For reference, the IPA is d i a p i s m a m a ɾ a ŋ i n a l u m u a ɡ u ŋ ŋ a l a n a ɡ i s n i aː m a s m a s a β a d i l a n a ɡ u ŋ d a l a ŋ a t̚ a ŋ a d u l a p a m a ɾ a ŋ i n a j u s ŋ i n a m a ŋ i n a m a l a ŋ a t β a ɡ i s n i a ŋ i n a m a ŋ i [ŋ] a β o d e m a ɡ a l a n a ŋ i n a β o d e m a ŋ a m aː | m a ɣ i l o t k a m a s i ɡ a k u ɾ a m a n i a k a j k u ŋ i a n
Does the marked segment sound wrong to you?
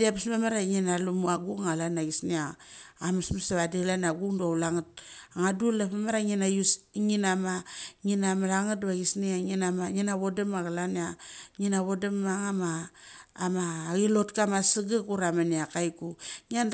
yes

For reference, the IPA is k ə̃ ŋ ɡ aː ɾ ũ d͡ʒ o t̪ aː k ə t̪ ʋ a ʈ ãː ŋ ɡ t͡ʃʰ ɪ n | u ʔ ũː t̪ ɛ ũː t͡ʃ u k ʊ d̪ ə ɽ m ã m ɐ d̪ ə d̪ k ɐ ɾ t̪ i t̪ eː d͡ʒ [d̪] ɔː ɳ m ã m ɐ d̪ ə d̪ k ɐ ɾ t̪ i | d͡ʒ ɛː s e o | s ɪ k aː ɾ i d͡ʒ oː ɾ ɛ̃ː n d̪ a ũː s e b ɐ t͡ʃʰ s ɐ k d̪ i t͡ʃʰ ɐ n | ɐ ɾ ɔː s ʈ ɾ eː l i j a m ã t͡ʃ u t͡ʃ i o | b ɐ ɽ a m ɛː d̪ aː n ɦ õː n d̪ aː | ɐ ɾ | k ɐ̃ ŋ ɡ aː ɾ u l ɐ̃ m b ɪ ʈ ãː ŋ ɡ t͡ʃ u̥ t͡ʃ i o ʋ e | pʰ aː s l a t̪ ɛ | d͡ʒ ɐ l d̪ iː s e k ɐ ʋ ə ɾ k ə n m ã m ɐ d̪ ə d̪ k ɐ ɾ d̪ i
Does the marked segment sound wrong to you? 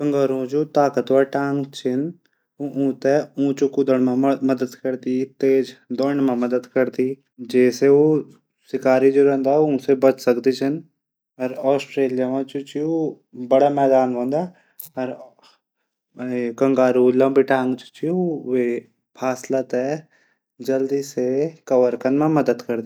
no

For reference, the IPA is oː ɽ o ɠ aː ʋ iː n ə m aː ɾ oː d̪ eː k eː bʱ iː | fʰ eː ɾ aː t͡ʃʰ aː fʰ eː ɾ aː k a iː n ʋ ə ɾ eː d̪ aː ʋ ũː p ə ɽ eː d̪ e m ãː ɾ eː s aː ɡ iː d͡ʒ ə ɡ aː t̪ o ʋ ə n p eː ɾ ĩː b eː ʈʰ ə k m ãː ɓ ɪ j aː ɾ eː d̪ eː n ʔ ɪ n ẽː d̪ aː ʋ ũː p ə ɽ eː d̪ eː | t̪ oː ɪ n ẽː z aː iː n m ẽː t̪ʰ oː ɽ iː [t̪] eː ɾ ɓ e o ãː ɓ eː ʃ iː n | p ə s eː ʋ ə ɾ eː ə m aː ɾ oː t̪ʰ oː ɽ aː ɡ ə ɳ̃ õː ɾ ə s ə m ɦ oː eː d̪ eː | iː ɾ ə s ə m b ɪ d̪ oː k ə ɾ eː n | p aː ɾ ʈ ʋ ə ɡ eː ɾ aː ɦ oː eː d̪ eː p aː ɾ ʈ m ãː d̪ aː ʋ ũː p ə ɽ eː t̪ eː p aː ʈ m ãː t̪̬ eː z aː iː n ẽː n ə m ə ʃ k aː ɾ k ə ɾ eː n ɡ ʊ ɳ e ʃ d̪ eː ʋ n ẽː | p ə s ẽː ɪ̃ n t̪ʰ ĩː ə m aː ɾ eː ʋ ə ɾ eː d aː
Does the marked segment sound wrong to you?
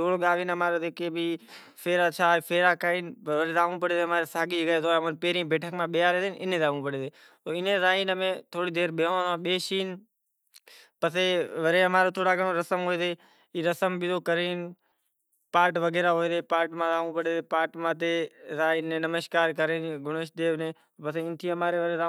yes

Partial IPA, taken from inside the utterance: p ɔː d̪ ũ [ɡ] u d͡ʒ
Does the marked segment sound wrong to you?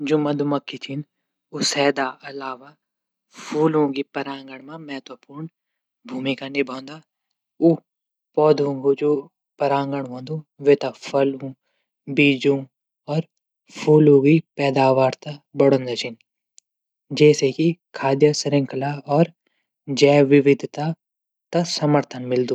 no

